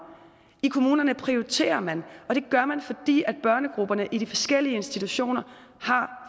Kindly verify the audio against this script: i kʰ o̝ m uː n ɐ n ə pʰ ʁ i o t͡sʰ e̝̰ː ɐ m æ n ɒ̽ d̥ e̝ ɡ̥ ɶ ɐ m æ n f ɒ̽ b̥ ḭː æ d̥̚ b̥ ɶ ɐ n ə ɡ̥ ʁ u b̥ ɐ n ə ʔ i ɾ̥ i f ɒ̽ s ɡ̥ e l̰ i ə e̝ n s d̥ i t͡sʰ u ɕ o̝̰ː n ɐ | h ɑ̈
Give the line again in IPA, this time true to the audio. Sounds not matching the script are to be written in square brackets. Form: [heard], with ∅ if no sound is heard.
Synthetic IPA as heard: i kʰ o̝ m uː n ɐ n ə pʰ ʁ i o t͡sʰ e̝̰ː ɐ m æ n ɒ̽ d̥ e̝ ɡ̥ ɶ ɐ m æ n f ɒ̽ [d̥] ḭː æ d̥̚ b̥ ɶ ɐ n ə ɡ̥ ʁ u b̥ ɐ n ə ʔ i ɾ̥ i f ɒ̽ s ɡ̥ e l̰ i ə e̝ n s d̥ i t͡sʰ u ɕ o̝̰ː n ɐ | h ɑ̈

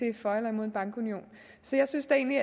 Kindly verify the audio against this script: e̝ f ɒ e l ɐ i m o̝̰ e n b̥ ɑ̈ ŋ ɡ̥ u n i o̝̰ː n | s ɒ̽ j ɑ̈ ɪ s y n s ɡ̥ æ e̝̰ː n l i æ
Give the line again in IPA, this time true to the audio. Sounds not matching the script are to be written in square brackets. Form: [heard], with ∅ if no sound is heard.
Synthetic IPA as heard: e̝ f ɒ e l ɐ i m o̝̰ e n b̥ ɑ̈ ŋ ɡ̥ u n i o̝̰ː n | s ɒ̽ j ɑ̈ ɪ s y n s [d̥] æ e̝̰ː n l i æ

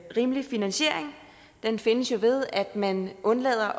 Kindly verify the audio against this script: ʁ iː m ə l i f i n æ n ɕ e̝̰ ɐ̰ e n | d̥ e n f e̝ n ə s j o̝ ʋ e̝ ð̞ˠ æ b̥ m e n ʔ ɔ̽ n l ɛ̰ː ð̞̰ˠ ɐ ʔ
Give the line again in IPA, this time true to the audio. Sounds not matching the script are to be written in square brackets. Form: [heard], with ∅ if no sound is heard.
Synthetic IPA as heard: ʁ iː m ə l i f i n æ n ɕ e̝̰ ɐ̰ e [ŋ] | d̥ e n f e̝ n ə s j o̝ ʋ e̝ ð̞ˠ æ [d̥] m [æ] n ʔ ɔ̽ n l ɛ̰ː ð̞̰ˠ ɐ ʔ

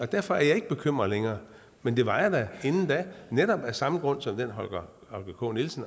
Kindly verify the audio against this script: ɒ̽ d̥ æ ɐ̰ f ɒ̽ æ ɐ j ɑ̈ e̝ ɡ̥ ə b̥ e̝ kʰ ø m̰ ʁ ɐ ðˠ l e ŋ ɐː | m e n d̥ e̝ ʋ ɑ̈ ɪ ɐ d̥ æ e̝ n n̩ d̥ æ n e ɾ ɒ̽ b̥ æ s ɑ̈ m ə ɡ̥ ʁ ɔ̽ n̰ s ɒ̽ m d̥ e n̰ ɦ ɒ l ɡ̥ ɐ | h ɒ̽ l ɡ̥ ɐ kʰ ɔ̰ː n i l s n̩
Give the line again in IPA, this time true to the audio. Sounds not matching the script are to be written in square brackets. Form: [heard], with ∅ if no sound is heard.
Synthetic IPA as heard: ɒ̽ d̥ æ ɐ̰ f ɒ̽ æ ɐ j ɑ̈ e̝ ɡ̥ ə b̥ e̝ kʰ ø m̰ ʁ ɐ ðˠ l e ŋ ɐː | m e n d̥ e̝ ʋ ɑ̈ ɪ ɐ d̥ æ e̝ n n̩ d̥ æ n e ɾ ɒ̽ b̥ æ s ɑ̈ m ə ɡ̥ ʁ ɔ̽ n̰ s ɒ̽ m d̥ e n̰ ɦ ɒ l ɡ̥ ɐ | h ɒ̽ l ɡ̥ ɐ kʰ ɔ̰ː n i l s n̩

